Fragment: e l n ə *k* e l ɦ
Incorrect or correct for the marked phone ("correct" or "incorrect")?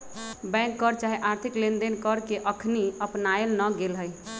incorrect